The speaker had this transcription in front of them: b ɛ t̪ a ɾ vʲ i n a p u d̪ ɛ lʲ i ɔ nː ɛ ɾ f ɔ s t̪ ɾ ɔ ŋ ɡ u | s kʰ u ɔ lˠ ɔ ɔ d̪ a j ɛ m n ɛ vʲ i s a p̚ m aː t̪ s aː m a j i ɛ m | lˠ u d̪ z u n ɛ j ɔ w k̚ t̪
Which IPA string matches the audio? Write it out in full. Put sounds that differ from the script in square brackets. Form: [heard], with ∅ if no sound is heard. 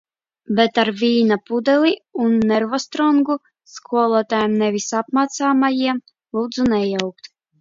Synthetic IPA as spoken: b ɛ t̪ a ɾ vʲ [iː] n a p u d̪ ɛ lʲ i [u] nː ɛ ɾ [v] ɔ s t̪ ɾ ɔ ŋ ɡ u | s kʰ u ɔ lˠ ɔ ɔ [t̪] a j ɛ m n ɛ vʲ i s a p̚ m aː t̪ s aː m a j i ɛ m | lˠ [uː] d̪ z u n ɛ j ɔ w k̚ t̪

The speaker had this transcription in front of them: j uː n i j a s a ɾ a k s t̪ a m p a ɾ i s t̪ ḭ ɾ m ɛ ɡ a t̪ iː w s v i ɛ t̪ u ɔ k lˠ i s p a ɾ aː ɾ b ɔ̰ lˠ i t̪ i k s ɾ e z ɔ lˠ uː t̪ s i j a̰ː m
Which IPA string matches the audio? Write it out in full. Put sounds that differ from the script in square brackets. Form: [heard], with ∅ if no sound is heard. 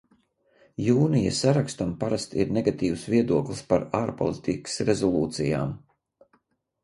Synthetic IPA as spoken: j uː n i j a s a ɾ a k s t̪ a m p a ɾ [a] s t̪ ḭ ɾ [n] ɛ ɡ a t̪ iː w s v i ɛ [d̪] u ɔ k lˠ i s p a ɾ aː ɾ [p] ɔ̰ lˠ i t̪ i k s ɾ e z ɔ lˠ uː t̪ s i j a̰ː m

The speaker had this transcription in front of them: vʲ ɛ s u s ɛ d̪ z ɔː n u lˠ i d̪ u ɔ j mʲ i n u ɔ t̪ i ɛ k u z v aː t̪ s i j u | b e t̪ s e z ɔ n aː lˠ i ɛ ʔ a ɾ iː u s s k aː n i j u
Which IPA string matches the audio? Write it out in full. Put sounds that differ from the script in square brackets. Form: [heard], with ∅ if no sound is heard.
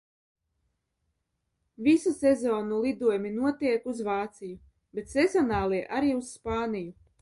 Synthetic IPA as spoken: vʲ [i] s u s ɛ [∅] z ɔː n u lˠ i d̪ u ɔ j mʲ i n u ɔ t̪ i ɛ k u z v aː t̪ s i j u | b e t̪ s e z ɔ n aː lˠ i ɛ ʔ a ɾ iː u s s [p] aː n i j u

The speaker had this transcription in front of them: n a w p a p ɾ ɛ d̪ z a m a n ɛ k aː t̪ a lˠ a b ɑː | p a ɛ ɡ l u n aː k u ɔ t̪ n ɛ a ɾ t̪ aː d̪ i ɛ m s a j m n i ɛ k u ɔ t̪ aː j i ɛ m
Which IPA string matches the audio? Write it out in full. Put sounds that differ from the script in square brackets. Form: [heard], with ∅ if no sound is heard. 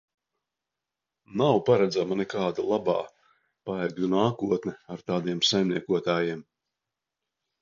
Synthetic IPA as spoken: n a w p a [∅] ɾ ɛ d̪ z a m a n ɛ k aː [d̪] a lˠ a b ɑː | p a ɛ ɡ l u n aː k u ɔ t̪ n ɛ a ɾ t̪ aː d̪ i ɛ m s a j m n i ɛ k u ɔ t̪ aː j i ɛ m

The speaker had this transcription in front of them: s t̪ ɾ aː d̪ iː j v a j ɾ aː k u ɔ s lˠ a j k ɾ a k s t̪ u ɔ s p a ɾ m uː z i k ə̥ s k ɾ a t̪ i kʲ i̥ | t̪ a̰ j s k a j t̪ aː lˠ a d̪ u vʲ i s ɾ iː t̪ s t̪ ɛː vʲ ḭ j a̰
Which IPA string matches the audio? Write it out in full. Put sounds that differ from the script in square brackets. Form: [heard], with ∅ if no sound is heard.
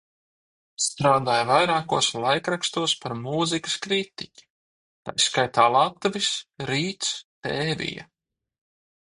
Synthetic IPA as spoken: s t̪ ɾ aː d̪ [aː] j v a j ɾ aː k u ɔ s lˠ a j k ɾ a k s t̪ u ɔ s p a ɾ m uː z i k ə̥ s k ɾ [i] t̪ i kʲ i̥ | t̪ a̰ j s k a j t̪ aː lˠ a [t̪] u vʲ i s ɾ iː t̪ s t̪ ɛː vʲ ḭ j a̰

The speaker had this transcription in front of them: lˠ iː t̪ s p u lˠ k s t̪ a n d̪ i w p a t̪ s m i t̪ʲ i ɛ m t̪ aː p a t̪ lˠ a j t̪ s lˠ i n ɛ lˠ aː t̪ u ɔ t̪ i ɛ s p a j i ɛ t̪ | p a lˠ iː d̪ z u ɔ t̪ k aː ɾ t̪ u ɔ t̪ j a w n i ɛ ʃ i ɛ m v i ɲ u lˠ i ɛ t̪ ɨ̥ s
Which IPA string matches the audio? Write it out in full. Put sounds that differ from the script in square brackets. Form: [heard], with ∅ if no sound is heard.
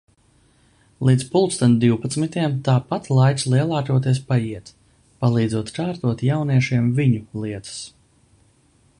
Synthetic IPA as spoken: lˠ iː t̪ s p u lˠ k s t̪ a n d̪ i w p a t̪ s m i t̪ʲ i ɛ m t̪ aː p a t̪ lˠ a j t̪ s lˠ i [∅] ɛ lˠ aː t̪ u ɔ t̪ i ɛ s p a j i ɛ t̪ | p a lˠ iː d̪ z u ɔ t̪ k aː ɾ t̪ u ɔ t̪ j a w n i ɛ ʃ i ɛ m v i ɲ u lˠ i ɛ t̪ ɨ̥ s

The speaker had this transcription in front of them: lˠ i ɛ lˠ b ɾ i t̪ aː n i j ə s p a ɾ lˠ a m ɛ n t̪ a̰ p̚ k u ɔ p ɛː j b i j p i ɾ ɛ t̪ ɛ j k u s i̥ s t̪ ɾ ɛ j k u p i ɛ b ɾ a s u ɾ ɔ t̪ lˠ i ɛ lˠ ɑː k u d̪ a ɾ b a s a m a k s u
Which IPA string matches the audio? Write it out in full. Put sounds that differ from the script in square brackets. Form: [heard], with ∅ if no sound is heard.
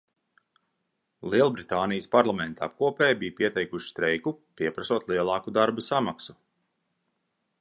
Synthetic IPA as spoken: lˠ i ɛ lˠ b ɾ i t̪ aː n i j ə s p a ɾ lˠ a m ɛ n t̪ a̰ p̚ k u ɔ p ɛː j b i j p i [∅] ɛ t̪ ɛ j k u [ʃ] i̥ s t̪ ɾ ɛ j k u p i ɛ [p] ɾ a s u [∅] ɔ t̪ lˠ i ɛ lˠ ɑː k u d̪ a ɾ b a s a m a k s u

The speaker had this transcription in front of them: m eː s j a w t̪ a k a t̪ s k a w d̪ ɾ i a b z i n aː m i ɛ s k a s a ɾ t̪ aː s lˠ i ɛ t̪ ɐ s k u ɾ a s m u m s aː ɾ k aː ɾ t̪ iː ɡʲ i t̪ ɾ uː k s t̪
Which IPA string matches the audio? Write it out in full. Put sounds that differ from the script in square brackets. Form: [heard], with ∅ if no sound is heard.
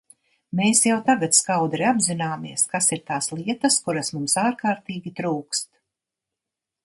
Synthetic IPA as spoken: m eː s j a w t̪ a [ɡ] a t̪ s k a w d̪ ɾ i a b z i n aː m i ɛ s k a s [i] ɾ t̪ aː s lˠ i ɛ t̪ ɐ s k u ɾ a s m u m s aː ɾ k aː ɾ t̪ iː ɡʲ i t̪ ɾ uː k s t̪

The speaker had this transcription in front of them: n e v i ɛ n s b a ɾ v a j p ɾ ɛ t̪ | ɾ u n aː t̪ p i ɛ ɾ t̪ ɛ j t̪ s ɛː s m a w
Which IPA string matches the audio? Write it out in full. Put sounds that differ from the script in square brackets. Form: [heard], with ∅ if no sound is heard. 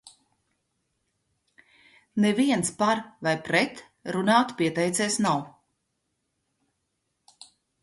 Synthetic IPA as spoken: n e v i ɛ n s [p] a ɾ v a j p ɾ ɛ t̪ | ɾ u n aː t̪ p i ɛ [∅] t̪ ɛ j t̪ s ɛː s [n] a w

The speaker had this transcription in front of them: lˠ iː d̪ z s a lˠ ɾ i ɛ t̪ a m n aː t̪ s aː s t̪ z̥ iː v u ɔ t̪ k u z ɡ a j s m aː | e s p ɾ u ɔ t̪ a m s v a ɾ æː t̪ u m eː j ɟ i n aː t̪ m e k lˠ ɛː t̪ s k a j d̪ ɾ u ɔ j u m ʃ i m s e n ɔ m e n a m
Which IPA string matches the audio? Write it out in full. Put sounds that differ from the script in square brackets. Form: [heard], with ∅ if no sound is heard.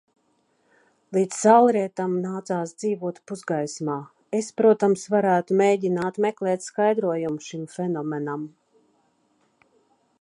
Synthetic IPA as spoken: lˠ iː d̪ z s a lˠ ɾ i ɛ t̪ a m n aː t̪ s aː s [d̪] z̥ iː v u ɔ t̪ [p] u z ɡ a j s m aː | e s p ɾ u ɔ t̪ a m s v a ɾ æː t̪ u m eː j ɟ i n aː t̪ m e k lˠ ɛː t̪ s k a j d̪ ɾ u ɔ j u m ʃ i m [f] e n ɔ m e n a m

